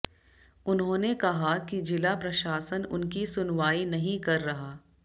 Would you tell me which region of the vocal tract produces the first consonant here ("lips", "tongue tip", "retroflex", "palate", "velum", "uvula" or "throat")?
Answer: tongue tip